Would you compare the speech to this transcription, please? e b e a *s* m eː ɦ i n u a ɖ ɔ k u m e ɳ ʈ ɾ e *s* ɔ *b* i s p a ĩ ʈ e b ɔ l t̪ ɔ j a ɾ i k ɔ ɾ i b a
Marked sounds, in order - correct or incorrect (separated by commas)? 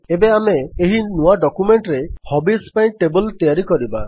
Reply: incorrect, incorrect, correct